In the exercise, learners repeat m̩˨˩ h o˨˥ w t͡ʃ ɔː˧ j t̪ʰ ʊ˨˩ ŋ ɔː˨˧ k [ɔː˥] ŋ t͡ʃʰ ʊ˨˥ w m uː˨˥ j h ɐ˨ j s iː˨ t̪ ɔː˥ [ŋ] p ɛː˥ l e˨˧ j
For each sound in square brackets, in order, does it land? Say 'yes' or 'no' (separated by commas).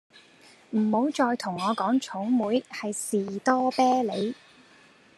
no, no